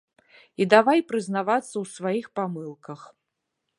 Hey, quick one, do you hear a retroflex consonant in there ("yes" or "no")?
no